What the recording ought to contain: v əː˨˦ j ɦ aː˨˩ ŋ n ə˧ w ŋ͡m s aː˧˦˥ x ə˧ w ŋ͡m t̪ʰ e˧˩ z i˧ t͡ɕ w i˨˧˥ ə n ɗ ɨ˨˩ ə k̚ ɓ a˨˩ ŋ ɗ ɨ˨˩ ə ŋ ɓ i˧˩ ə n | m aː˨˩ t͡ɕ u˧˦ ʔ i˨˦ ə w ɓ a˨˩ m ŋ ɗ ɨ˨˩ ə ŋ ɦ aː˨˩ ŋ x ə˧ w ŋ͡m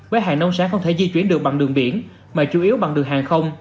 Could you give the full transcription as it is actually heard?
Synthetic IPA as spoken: v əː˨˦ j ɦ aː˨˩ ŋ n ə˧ w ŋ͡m s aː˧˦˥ x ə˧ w ŋ͡m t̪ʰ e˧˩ z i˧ t͡ɕ w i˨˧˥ ə n ɗ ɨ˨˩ ə k̚ ɓ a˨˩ ŋ ɗ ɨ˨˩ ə ŋ ɓ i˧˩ ə n | m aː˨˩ t͡ɕ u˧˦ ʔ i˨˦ ə w ɓ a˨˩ ŋ ɗ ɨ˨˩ ə ŋ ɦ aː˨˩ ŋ x ə˧ w ŋ͡m